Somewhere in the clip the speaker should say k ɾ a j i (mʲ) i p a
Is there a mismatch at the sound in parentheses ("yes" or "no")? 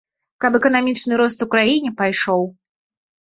yes